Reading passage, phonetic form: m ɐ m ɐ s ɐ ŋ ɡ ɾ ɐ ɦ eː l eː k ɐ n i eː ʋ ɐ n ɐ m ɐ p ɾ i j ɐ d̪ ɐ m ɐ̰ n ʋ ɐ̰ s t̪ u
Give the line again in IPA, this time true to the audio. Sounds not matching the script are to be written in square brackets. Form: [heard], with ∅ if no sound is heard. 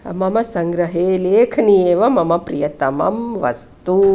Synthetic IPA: m ɐ m ɐ s ɐ ŋ ɡ ɾ ɐ ɦ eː l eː [kʰ] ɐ n i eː ʋ ɐ [m] ɐ m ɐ p ɾ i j ɐ [t̪] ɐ m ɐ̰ [m] ʋ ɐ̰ s t̪ u